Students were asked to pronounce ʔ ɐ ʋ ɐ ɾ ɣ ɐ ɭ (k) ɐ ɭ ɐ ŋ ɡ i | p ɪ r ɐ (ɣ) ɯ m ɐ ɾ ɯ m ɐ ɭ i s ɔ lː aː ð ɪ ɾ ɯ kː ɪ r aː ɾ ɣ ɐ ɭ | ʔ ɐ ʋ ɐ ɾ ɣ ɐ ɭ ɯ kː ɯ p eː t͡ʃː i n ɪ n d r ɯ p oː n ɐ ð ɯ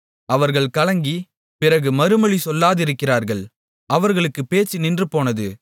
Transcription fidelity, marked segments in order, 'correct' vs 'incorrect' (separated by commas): correct, correct